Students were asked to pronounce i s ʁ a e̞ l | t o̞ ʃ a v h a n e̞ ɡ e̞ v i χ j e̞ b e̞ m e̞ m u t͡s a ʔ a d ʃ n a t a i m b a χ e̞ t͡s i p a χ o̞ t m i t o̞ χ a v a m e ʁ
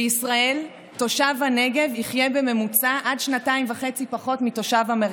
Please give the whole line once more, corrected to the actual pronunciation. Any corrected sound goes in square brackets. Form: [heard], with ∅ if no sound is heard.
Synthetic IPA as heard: i s ʁ a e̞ l | t o̞ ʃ a v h a n e̞ ɡ e̞ v i χ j e̞ b e̞ m e̞ m u t͡s a ʔ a d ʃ n a t a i m [v] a χ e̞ t͡s i p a χ o̞ t m i t o̞ [ʃ] a v a m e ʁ